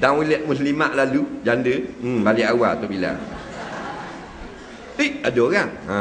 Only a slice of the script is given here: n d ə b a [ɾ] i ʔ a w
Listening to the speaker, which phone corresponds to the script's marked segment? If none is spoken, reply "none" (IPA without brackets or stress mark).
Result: l